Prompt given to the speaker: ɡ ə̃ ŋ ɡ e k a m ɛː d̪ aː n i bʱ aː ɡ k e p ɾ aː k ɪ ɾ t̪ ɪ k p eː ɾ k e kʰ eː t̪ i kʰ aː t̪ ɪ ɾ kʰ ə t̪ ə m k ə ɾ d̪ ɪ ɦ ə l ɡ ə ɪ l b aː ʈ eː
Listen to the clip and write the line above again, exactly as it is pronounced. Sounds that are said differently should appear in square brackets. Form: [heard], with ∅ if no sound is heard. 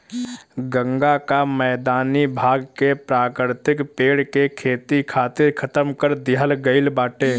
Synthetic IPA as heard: ɡ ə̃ ŋ ɡ [a] k a m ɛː d̪ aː n i bʱ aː ɡ k e p ɾ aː k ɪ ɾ t̪ ɪ k p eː [ɽ] k e kʰ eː t̪ i kʰ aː t̪ ɪ ɾ kʰ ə t̪ ə m k ə ɾ d̪ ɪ ɦ ə l ɡ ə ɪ l b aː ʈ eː

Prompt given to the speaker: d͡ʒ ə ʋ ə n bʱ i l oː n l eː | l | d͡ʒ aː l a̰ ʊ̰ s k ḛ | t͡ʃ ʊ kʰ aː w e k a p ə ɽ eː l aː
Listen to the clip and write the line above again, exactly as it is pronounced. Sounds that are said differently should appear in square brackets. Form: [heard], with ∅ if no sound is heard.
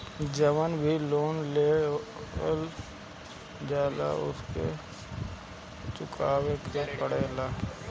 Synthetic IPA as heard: d͡ʒ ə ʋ ə n bʱ i l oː n l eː | l | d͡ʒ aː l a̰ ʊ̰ s k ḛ | t͡ʃ ʊ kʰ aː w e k [e] p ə ɽ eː l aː

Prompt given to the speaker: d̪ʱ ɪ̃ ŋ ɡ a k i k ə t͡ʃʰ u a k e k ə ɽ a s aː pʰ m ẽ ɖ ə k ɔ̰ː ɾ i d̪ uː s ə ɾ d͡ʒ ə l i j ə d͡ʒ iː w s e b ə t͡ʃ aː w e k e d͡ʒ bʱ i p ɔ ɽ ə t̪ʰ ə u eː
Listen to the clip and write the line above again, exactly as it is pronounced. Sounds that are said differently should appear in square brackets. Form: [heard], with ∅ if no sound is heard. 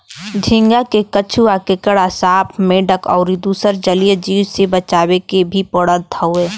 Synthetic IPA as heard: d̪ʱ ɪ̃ ŋ ɡ a k [e] k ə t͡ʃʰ u a k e k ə ɽ a s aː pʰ m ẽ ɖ ə k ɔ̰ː ɾ i d̪ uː s ə ɾ d͡ʒ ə l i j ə d͡ʒ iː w s e b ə t͡ʃ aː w e k e [∅] bʱ i p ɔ ɽ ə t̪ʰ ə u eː

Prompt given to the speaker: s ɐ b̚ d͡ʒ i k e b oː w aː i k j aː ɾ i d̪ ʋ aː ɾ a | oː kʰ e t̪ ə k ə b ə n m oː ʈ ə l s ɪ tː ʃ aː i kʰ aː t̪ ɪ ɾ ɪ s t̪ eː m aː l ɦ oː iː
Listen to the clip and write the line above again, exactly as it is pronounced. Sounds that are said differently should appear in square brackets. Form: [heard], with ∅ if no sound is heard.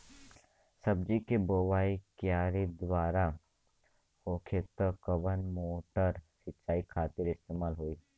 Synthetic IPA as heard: s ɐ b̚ d͡ʒ i k e b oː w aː i k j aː ɾ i d̪ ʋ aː ɾ a | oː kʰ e t̪ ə k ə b ə n m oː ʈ ə [ɾ] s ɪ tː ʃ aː i kʰ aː t̪ ɪ ɾ ɪ s t̪ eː m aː l ɦ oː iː

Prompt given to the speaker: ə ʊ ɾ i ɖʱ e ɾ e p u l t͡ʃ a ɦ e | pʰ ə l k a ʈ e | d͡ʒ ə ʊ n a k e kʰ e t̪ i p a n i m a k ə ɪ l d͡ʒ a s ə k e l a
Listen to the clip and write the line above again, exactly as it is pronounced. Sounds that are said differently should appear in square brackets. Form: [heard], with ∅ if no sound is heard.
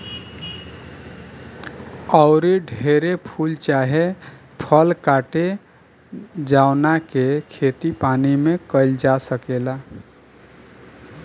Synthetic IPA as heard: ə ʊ ɾ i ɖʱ e ɾ e [pʰ] u l t͡ʃ a ɦ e | pʰ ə l k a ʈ e | d͡ʒ [a] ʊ n a k e kʰ e t̪ i p a n i m [e] k ə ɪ l d͡ʒ a s ə k e l a

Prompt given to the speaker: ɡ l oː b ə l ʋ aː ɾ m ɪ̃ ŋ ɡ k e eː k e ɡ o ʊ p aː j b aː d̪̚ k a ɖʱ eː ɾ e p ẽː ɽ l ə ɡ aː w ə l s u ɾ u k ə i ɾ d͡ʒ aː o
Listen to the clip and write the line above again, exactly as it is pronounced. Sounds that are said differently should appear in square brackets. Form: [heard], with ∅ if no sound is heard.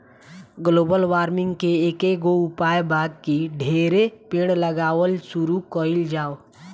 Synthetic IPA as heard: ɡ l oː b ə l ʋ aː ɾ m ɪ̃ ŋ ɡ k e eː k e ɡ o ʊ p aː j b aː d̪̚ k [i] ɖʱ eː ɾ e p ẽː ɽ l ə ɡ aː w ə l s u ɾ u k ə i [l] d͡ʒ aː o

